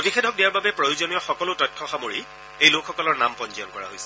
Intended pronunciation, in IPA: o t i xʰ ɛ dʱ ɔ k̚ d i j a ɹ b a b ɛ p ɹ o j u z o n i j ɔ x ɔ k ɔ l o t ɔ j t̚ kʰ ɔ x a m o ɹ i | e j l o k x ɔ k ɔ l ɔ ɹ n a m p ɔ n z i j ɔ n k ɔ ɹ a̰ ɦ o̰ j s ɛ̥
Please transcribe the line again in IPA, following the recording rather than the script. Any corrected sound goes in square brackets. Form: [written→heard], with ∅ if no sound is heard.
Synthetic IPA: o t i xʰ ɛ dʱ ɔ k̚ d i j a ɹ b a b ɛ p ɹ o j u z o n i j ɔ x ɔ k ɔ l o t ɔ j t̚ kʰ ɔ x a m o ɹ i | e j l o k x ɔ k ɔ l ɔ ɹ n a m p ɔ n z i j ɔ n k ɔ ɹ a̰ ɦ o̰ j s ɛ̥